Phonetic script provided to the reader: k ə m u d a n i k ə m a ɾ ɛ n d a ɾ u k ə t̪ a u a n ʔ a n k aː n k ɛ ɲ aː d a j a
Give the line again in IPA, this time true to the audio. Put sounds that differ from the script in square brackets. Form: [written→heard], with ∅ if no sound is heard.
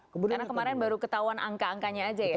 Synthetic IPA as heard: k ə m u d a n [i→a] k ə m a ɾ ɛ n [d→b] a ɾ u k ə t̪ a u a n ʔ a [n→ŋ] k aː [n→ŋ] k [ɛ→a] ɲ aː [d→d͡ʒ] a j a